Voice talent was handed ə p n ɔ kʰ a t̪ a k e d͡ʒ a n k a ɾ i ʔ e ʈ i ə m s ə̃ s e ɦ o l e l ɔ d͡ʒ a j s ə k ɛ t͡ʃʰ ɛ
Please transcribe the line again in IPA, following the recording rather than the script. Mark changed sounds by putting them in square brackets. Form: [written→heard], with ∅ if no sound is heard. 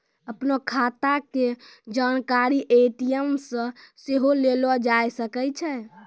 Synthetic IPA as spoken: ə p n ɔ kʰ a t̪ a k e d͡ʒ a n k a ɾ i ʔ e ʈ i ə m s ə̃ s e ɦ o l e l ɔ d͡ʒ a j s ə k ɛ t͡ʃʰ ɛ